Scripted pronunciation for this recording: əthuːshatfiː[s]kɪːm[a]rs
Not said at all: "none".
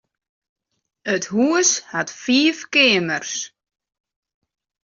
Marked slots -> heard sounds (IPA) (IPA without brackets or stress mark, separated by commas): f, ə